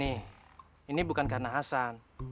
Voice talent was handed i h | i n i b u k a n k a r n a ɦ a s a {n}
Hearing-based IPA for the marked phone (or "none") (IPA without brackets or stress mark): n